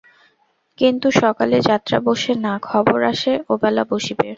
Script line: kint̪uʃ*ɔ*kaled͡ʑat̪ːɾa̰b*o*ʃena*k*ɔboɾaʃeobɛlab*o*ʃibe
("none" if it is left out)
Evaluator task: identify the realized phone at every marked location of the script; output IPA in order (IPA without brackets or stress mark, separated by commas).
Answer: ɔ, o, kʰ, o